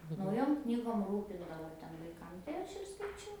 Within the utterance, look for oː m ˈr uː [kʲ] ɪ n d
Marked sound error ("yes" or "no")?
yes